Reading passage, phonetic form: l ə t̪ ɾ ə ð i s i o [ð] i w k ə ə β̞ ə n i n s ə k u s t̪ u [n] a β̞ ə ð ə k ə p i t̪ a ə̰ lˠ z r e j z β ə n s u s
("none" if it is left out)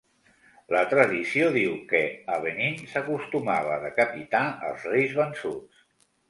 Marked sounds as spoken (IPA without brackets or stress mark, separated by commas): ð, m